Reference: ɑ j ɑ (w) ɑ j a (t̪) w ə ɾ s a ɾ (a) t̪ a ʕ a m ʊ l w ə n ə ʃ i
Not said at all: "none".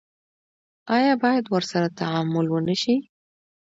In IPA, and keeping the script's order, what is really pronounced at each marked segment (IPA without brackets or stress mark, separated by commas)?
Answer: b, d̪, a